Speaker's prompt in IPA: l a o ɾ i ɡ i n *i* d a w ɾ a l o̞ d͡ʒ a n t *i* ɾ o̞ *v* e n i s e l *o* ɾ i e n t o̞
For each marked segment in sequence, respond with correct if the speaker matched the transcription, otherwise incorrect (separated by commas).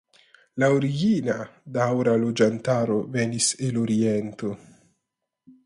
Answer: incorrect, incorrect, correct, correct